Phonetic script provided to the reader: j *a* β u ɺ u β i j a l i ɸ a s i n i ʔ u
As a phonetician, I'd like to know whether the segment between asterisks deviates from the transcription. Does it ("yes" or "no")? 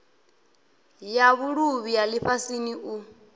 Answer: no